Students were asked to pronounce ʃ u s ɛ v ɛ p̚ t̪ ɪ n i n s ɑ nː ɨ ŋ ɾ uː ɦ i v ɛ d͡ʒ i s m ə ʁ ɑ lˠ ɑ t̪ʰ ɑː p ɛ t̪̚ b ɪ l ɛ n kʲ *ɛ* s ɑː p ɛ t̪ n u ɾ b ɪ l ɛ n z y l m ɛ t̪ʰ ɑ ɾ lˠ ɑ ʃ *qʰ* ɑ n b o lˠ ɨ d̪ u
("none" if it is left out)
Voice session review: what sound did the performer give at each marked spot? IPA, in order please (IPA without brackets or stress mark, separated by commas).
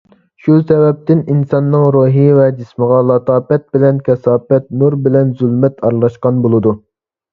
ɛ, q